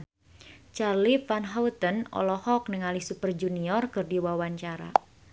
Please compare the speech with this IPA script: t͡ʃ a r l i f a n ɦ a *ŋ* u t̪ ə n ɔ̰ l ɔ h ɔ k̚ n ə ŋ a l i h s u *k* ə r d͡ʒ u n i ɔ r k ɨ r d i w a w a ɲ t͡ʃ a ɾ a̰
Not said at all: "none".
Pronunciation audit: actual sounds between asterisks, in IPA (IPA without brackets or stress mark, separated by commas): none, p